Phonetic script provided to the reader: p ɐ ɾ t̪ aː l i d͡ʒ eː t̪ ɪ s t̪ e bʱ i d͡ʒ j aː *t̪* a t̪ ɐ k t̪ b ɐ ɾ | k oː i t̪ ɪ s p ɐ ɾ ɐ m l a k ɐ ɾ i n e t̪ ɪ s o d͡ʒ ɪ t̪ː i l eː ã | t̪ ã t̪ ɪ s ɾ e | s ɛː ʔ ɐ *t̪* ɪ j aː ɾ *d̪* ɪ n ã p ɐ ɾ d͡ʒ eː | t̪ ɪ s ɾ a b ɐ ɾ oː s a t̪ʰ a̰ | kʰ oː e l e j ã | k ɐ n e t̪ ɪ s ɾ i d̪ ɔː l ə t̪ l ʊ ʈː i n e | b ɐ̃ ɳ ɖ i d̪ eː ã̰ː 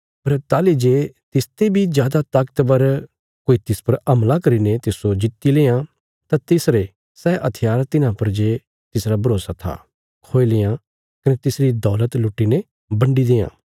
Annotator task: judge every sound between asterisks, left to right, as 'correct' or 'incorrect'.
incorrect, incorrect, incorrect

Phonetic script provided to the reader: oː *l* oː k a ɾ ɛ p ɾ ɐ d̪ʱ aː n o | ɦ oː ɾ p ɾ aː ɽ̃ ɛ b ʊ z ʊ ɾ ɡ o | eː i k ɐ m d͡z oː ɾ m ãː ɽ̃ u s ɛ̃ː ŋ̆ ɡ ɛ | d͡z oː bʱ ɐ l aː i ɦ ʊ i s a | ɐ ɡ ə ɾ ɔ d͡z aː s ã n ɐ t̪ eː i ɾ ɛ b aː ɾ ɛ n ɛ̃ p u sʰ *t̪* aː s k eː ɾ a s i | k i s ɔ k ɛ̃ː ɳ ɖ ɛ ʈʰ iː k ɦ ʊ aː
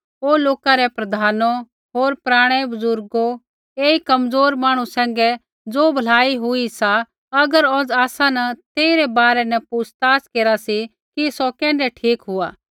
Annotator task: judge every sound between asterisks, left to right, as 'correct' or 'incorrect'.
correct, correct

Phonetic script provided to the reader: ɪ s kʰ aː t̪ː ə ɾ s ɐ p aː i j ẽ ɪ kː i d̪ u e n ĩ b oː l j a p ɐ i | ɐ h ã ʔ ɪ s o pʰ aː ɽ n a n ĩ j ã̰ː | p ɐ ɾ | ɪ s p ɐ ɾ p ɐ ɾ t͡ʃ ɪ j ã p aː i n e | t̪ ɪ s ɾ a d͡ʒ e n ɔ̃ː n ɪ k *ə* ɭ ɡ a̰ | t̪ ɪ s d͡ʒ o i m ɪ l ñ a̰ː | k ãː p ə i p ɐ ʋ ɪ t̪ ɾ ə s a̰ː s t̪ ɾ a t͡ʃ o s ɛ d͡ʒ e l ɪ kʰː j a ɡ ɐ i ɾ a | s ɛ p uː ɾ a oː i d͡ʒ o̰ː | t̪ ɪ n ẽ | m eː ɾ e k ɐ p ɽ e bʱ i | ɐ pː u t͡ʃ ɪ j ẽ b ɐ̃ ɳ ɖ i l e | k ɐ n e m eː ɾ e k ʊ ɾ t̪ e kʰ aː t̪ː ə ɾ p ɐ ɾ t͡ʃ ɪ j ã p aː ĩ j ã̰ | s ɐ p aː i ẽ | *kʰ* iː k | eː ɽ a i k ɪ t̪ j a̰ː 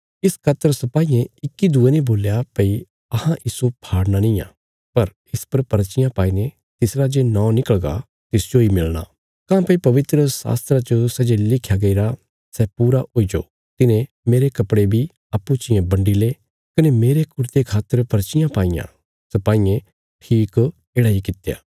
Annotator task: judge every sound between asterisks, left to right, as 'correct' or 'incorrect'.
correct, incorrect

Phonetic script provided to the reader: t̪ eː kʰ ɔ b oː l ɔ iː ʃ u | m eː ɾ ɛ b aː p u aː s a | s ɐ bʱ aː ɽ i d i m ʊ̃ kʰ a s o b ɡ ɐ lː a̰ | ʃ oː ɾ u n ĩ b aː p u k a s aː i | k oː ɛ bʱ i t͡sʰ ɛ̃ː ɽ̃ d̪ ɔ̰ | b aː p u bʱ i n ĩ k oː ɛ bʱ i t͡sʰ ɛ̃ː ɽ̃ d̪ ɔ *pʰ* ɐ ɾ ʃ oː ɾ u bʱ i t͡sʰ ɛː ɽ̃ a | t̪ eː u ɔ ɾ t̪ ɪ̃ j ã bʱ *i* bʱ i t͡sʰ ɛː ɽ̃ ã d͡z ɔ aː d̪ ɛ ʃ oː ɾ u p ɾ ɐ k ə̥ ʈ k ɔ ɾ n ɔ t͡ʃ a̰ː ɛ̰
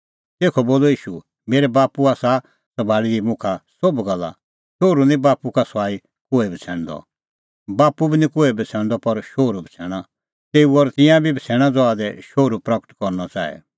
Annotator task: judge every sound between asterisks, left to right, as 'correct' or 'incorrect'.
incorrect, correct

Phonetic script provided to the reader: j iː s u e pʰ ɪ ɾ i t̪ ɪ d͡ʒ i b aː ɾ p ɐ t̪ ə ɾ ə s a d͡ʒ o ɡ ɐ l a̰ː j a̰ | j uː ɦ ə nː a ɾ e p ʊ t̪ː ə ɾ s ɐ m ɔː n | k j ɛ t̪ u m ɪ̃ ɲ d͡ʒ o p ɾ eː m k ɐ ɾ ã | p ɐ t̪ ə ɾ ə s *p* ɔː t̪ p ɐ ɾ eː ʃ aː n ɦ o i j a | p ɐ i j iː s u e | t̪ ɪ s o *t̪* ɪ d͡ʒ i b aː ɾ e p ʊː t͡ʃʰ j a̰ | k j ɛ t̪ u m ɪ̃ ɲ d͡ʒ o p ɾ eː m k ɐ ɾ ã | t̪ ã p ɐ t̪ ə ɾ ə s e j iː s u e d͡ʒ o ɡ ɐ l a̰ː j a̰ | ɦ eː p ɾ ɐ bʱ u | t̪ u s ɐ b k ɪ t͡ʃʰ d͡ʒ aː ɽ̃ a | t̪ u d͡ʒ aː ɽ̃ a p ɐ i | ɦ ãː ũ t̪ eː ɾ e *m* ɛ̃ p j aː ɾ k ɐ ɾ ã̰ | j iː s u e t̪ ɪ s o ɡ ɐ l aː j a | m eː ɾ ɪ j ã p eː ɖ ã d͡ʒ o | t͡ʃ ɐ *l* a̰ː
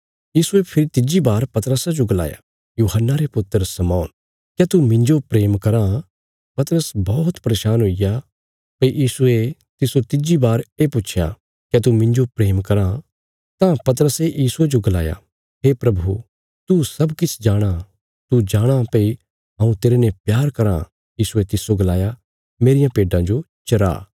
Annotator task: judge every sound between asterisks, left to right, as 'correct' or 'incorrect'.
incorrect, correct, incorrect, incorrect

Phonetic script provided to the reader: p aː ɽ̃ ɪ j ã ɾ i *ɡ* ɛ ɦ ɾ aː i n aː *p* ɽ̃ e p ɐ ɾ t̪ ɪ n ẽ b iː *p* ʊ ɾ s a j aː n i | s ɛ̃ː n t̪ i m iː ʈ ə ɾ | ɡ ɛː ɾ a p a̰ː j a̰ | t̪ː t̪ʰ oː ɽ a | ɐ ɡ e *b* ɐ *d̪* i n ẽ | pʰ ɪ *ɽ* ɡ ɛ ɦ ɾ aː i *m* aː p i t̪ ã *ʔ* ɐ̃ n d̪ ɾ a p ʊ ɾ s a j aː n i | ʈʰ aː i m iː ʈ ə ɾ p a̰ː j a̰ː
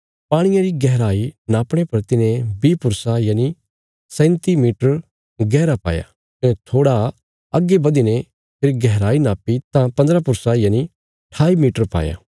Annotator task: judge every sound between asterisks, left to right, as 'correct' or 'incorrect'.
correct, correct, correct, correct, correct, incorrect, incorrect, incorrect

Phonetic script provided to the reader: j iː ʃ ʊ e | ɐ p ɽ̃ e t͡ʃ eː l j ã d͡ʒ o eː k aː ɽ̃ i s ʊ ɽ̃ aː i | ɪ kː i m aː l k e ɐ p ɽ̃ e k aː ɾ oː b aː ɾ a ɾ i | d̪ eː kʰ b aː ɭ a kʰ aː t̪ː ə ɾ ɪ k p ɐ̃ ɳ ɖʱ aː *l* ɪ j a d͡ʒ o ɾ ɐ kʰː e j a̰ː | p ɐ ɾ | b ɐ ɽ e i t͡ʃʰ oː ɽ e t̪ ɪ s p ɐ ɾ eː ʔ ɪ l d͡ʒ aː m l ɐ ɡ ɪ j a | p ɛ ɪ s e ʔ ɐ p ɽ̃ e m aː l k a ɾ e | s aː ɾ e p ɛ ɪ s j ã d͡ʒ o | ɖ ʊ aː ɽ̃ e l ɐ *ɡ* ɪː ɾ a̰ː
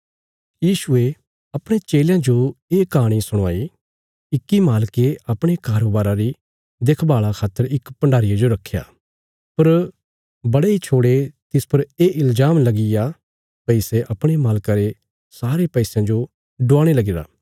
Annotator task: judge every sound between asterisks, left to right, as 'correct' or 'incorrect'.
incorrect, correct

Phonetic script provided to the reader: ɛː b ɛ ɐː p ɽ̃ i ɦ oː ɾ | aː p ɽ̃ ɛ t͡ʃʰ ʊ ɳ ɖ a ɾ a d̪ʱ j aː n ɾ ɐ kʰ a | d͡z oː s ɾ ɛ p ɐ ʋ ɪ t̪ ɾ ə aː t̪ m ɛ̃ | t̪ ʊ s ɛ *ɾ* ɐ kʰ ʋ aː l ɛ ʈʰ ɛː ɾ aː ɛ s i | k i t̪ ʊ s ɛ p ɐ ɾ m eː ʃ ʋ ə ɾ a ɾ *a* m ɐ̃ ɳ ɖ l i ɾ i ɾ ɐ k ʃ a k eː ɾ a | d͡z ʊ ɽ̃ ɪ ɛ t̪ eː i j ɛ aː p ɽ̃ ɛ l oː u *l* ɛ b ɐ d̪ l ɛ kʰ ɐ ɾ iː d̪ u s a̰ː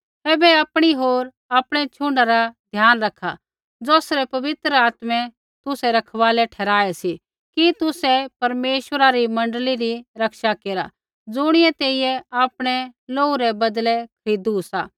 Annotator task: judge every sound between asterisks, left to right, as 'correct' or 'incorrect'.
correct, incorrect, incorrect

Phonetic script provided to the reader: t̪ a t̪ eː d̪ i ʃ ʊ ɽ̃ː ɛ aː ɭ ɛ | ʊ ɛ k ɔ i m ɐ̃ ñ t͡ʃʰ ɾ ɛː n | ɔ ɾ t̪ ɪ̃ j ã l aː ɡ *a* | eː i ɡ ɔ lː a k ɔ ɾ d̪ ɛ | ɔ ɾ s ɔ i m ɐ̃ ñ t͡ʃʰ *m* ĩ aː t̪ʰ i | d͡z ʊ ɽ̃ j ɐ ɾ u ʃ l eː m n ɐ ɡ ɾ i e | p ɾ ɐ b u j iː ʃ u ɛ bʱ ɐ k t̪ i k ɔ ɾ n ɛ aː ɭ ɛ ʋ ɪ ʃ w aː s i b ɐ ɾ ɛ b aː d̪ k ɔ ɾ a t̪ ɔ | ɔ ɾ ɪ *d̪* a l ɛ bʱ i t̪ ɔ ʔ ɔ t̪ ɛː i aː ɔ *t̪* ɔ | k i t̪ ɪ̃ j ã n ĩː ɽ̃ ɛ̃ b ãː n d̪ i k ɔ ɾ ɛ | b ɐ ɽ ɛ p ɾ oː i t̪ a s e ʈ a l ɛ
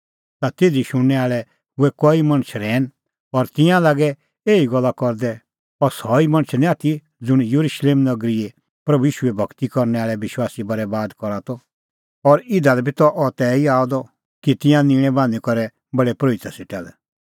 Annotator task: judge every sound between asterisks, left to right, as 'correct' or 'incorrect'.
incorrect, incorrect, correct, incorrect

